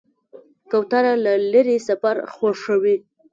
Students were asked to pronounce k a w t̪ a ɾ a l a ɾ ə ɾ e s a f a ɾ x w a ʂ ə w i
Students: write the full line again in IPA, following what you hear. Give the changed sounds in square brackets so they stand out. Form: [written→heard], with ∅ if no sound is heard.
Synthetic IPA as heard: k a w t̪ a ɾ a l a [ɾ→l] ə ɾ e s a f a ɾ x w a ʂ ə w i